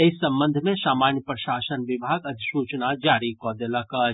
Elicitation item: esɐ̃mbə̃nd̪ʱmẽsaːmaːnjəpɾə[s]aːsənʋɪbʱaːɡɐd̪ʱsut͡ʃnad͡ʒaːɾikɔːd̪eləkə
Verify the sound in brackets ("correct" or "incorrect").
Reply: incorrect